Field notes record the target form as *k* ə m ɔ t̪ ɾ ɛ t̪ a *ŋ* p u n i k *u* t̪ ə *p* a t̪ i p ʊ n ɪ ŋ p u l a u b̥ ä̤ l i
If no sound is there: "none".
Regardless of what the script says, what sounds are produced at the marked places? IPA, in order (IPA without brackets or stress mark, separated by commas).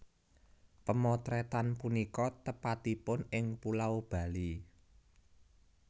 p, n, ɔ, p